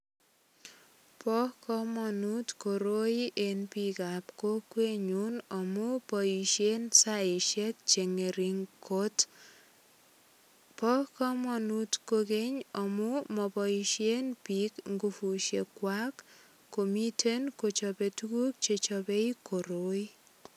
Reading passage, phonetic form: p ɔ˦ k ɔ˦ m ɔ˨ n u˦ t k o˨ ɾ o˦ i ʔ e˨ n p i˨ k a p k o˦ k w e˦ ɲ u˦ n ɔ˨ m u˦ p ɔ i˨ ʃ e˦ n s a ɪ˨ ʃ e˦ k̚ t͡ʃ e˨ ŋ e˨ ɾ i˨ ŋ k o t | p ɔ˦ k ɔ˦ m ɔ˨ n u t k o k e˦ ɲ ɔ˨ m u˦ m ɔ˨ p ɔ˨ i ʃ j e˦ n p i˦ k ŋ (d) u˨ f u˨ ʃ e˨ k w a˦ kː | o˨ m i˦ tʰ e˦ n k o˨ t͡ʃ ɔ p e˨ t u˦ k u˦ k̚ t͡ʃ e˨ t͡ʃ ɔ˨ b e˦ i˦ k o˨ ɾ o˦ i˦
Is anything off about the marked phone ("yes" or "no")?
yes